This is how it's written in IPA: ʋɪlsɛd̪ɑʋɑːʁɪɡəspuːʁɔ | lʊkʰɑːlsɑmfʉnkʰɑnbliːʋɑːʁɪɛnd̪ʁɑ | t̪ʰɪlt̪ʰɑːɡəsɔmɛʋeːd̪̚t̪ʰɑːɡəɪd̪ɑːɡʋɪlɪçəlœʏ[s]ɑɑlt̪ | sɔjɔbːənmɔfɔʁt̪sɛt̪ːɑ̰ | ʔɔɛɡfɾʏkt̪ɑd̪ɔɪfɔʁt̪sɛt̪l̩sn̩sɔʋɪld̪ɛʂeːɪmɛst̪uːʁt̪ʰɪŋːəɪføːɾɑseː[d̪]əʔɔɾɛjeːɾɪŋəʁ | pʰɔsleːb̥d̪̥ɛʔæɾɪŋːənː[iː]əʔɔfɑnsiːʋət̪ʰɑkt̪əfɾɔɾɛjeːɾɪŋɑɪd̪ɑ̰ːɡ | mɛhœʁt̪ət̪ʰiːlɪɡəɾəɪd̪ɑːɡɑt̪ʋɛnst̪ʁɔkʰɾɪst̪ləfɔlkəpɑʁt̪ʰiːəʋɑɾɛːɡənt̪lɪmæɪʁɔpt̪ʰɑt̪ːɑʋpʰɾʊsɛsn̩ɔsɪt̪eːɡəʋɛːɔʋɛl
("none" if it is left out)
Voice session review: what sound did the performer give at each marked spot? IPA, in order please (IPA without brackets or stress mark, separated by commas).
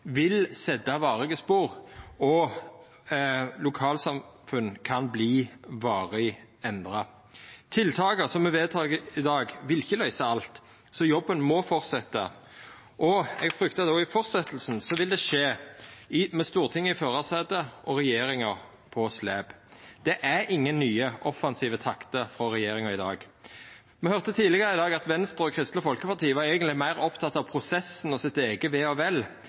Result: s, d̪, yː